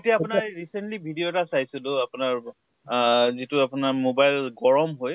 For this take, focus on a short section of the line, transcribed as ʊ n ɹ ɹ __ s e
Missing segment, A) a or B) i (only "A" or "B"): B